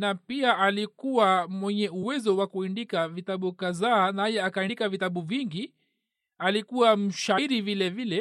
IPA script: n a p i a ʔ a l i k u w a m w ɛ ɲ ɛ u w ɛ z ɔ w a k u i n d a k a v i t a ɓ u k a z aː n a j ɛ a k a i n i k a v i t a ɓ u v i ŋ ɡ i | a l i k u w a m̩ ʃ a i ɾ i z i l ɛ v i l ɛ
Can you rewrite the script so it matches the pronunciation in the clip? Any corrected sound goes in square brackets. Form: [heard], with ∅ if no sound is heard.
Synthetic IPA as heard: n a p i a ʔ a l i k u w a m w ɛ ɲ ɛ u w ɛ z ɔ w a k u i n d [i] k a v i t a ɓ u k a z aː n a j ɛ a k a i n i k a v i t a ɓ u v i ŋ ɡ i | a l i k u w a m̩ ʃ a i ɾ i [v] i l ɛ v i l ɛ